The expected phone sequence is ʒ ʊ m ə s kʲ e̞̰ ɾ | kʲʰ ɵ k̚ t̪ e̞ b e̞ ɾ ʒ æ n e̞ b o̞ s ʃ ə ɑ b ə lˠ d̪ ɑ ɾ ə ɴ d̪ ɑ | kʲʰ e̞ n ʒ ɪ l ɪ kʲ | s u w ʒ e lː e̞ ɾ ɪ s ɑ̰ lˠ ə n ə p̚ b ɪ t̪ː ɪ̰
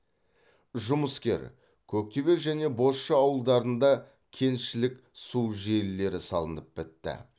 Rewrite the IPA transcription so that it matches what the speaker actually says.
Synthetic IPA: ʒ ʊ m ə s kʲ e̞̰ ɾ | kʲʰ ɵ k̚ t̪ e̞ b e̞ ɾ ʒ æ n e̞ b o̞ s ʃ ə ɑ w ə lˠ d̪ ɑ ɾ ə n d̪ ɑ | kʲʰ e̞ n ʃ ɪ l ɪ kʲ | s u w ʒ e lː e̞ ɾ ɪ s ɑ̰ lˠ ə n ə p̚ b ɪ t̪ː ɪ̰